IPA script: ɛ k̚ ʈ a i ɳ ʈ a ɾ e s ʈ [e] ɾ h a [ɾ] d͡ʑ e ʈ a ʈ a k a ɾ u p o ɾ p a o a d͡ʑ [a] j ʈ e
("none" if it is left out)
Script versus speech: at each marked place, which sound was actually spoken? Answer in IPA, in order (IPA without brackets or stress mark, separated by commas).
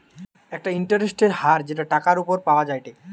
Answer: e, ɾ, a